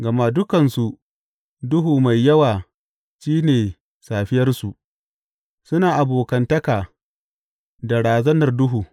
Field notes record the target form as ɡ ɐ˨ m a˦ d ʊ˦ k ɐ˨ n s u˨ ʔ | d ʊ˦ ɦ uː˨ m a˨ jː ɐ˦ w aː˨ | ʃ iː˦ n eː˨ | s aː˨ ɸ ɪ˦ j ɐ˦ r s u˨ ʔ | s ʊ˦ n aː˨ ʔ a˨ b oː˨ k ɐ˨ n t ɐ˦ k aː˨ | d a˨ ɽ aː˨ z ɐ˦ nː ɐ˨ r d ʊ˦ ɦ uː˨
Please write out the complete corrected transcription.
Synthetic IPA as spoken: ɡ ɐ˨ m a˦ d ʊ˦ k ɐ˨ n s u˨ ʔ | d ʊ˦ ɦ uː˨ m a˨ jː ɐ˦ w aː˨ | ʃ iː˦ n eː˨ | s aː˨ ɸ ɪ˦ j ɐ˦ r s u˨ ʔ | s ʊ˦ n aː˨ ʔ a˨ b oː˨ k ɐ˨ n t ɐ˦ k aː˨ | d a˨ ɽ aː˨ z ɐ˦ n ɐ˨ r d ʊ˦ ɦ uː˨

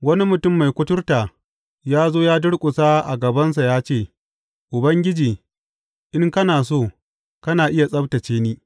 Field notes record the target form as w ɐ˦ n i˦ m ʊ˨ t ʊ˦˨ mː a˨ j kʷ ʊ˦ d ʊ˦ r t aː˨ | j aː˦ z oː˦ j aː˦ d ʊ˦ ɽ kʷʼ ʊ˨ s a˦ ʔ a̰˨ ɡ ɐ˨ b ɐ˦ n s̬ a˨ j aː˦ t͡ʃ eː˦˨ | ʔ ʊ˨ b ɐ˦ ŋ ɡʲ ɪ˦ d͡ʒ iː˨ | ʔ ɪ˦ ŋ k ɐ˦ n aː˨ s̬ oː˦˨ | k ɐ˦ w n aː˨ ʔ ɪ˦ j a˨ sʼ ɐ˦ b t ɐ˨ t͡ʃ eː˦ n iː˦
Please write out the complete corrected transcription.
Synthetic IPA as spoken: w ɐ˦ n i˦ m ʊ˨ t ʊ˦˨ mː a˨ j kʷ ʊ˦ t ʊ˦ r t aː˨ | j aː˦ z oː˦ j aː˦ d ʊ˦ ɽ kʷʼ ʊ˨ s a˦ ʔ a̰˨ ɡ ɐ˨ b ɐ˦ n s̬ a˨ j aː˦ t͡ʃ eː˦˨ | ʔ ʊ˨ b ɐ˦ ŋ ɡʲ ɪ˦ d͡ʒ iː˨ | ʔ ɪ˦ ŋ k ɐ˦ n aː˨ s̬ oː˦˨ | k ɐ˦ n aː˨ ʔ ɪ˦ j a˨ sʼ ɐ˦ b t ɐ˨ t͡ʃ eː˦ n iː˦

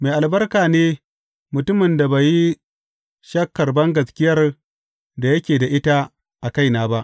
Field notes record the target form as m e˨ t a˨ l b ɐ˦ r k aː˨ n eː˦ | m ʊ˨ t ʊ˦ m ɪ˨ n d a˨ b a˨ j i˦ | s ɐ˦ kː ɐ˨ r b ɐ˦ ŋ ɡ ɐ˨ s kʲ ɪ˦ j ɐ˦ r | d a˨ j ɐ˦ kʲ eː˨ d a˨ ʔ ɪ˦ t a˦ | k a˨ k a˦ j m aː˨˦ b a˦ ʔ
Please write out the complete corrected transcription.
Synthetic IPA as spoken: m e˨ ʔ a˨ l b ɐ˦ r k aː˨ n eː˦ | m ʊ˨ t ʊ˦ m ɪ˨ n d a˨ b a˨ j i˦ | ʃ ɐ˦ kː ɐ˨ r b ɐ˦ ŋ ɡ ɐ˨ s kʲ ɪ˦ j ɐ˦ r | d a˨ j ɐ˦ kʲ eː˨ d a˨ ʔ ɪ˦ t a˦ | ʔ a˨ k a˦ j n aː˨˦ b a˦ ʔ

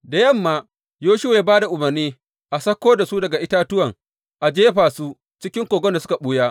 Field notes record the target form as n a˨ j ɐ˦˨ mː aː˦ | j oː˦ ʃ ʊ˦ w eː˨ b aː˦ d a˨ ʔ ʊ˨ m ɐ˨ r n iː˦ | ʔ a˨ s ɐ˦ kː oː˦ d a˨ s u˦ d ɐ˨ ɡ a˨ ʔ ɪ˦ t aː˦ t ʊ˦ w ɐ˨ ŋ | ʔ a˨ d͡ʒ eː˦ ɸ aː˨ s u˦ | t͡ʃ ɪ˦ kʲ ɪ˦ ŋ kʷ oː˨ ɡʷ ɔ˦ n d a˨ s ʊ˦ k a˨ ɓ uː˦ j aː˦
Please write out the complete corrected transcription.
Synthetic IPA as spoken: d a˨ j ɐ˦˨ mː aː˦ | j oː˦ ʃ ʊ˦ w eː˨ b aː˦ d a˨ ʔ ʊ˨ m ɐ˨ r n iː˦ | ʔ a˨ s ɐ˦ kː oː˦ d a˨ s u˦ d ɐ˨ ɡ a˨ ʔ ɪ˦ t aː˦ t ʊ˦ w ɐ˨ ŋ | ʔ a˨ d͡ʒ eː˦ ɸ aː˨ s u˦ | t͡ʃ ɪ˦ kʲ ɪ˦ ŋ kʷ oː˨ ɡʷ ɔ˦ n d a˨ s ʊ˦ k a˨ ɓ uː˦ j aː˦

